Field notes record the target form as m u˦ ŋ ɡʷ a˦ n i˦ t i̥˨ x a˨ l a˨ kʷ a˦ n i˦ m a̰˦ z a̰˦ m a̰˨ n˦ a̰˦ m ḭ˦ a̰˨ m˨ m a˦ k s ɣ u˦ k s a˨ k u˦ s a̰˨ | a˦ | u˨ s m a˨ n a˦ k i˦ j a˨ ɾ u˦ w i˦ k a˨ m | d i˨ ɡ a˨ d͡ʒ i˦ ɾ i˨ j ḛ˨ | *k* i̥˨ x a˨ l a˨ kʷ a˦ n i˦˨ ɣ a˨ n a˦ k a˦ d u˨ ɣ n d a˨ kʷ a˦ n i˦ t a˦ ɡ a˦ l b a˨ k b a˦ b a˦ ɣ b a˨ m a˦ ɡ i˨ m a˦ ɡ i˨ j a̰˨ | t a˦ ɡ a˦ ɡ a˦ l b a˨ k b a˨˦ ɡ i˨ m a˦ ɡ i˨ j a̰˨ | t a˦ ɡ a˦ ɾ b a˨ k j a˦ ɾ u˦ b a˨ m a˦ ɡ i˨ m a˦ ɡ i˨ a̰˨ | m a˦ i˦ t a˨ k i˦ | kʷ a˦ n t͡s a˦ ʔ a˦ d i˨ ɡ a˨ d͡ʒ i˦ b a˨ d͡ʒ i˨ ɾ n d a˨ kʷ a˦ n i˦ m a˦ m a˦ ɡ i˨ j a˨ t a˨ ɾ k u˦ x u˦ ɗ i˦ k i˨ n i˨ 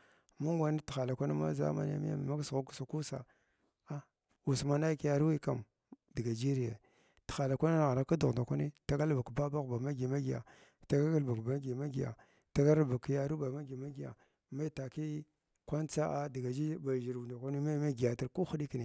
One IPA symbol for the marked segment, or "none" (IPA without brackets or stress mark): t